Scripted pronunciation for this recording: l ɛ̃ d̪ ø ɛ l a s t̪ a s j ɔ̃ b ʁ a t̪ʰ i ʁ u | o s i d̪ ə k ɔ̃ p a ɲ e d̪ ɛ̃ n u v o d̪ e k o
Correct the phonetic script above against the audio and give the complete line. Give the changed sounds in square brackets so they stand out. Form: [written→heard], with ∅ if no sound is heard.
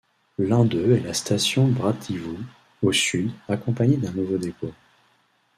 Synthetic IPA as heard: l ɛ̃ d̪ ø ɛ l a s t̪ a s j ɔ̃ b ʁ a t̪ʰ i [ʁ→v] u | o s [i→y] d̪ [ə→a] k ɔ̃ p a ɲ e d̪ ɛ̃ n u v o d̪ e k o